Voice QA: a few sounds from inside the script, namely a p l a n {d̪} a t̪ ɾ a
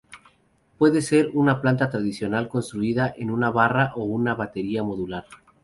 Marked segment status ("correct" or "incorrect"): incorrect